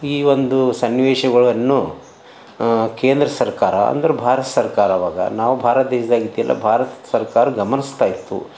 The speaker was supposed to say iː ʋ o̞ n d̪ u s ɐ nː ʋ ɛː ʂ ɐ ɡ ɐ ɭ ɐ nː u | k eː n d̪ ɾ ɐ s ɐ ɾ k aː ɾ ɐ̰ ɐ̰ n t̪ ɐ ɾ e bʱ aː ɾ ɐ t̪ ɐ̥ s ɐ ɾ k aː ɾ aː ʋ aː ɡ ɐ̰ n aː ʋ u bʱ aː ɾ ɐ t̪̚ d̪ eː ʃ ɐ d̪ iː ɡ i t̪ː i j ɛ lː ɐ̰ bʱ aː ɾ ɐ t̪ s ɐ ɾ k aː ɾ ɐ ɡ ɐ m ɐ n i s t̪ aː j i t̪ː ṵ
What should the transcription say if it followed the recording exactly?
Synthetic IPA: iː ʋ o̞ n d̪ u s ɐ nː ʋ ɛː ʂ ɐ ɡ ɐ ɭ ɐ nː u | k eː n d̪ ɾ ɐ s ɐ ɾ k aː ɾ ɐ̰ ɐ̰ n d̪ ɐ ɾ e bʱ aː ɾ ɐ t̪ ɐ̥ s ɐ ɾ k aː ɾ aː ʋ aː ɡ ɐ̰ n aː ʋ u bʱ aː ɾ ɐ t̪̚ d̪ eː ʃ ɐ d̪ aː ɡ i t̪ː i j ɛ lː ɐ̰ bʱ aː ɾ ɐ t̪ s ɐ ɾ k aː ɾ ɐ ɡ ɐ m ɐ n i s t̪ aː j i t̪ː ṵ

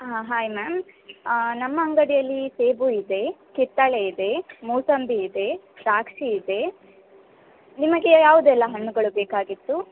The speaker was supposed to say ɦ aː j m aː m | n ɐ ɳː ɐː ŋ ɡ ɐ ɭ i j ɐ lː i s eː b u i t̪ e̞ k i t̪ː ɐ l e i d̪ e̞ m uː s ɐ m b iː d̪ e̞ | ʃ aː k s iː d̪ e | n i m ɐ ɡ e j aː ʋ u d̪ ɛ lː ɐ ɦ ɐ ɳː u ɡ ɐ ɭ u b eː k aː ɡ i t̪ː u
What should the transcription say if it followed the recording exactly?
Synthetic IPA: ɦ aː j m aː m | n ɐ mː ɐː ŋ ɡ ɐ ɽ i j ɐ lː i s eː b u i d̪ e̞ k i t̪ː ɐ ɭ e i d̪ e̞ m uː s ɐ m b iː d̪ e̞ | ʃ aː k ʂ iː d̪ e | n i m ɐ ɡ e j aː ʋ u d̪ ɛ lː ɐ ɦ ɐ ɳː u ɡ ɐ ɭ u b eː k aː ɡ i t̪ː u

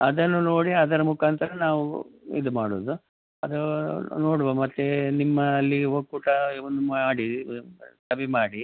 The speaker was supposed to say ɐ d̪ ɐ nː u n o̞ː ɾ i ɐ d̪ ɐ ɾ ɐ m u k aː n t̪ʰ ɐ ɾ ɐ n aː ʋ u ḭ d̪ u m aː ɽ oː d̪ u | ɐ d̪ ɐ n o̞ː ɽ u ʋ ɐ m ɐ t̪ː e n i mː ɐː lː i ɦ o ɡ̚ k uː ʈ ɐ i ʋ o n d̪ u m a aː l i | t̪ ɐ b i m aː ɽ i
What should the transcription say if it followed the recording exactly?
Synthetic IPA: ɐ d̪ ɐ nː u n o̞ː ɽ i ɐ d̪ ɐ ɾ ɐ m u k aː n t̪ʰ ɐ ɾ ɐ n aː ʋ u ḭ d̪ u m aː ɽ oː d̪ u | ɐ d̪ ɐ n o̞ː ɽ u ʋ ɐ m ɐ t̪ː e n i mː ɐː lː i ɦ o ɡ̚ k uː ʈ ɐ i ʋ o n d̪ u m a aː ɽ i | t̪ ɐ b i m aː ɽ i

